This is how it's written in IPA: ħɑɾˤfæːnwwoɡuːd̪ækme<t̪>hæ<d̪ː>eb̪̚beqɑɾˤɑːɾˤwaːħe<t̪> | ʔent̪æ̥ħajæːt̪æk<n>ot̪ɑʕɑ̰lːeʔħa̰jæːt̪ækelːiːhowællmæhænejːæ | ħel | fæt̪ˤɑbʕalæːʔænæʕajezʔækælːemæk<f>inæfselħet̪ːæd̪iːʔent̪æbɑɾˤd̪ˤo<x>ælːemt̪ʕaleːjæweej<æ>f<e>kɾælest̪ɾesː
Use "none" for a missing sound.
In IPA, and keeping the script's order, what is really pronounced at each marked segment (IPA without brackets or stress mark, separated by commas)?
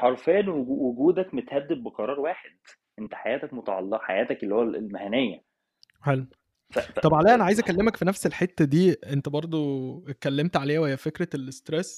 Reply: t̪, d̪ː, d̪, m, f, k, æ, e